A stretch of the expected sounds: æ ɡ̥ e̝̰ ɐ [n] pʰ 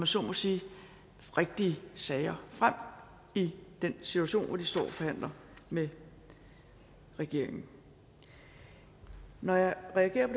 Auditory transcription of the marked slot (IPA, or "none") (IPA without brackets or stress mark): none